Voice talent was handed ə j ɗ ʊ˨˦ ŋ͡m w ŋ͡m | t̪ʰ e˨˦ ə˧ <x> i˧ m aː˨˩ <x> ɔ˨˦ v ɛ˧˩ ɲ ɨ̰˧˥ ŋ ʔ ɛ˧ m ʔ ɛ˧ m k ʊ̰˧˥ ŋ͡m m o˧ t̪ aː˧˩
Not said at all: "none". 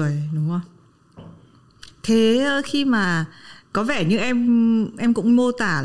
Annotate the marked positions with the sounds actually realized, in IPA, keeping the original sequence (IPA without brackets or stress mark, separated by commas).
x, k